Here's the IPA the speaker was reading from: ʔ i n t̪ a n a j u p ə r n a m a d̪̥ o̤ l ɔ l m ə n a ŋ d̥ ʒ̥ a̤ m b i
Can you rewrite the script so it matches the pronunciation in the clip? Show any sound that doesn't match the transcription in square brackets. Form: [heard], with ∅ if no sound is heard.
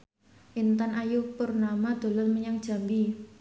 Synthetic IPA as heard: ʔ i n t̪ a n a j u p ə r n a m a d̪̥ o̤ l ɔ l m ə [ɲ] a ŋ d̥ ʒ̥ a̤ m b i